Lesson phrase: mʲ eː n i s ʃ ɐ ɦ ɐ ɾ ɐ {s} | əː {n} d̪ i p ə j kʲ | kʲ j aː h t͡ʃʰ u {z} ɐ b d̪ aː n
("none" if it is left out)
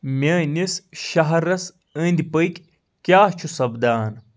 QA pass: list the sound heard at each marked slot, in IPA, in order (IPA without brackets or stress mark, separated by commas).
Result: s, n, s